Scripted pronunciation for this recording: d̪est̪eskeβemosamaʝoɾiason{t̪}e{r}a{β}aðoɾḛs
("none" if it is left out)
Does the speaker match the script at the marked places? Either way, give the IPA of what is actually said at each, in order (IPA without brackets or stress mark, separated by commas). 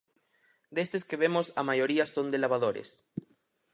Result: d̪, l, β